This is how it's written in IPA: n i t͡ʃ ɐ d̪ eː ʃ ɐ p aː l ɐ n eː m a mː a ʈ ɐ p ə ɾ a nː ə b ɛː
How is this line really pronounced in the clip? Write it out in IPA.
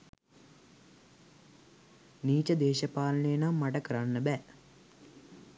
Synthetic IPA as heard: n iː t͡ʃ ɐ d̪ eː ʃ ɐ p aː l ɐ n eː n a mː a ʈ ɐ k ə ɾ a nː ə b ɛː